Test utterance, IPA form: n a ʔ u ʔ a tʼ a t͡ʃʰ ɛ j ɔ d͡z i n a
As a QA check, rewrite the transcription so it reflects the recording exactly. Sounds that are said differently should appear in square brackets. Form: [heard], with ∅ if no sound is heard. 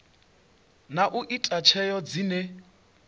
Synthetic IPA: n a ʔ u ʔ [i] tʼ a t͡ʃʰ ɛ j ɔ d͡z i n [ɛ]